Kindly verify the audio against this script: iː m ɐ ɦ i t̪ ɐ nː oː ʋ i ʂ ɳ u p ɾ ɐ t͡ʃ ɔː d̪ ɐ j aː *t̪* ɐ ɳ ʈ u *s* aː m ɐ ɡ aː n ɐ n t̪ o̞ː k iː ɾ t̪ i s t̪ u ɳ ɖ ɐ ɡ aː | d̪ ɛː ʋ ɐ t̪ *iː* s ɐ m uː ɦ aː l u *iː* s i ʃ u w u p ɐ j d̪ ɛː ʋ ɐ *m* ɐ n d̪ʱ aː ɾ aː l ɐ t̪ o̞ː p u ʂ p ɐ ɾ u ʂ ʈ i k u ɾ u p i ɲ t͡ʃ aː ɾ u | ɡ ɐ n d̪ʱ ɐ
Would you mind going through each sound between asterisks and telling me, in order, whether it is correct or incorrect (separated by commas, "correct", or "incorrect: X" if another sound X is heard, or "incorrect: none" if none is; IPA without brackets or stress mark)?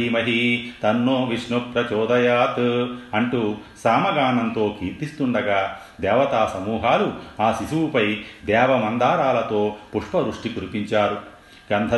correct, correct, incorrect: aː, incorrect: aː, correct